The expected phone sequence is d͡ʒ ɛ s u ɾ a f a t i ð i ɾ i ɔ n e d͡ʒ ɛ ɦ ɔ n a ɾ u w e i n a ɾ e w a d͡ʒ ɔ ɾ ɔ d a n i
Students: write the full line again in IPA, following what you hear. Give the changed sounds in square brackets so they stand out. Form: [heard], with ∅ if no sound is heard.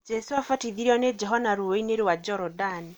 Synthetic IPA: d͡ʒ ɛ s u [∅] a f a t i ð i ɾ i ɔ n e d͡ʒ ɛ ɦ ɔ n a ɾ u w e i n [e] ɾ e w a d͡ʒ ɔ ɾ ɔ d a n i